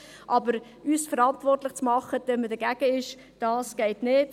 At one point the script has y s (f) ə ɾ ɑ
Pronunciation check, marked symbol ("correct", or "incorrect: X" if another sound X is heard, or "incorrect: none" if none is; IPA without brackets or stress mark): correct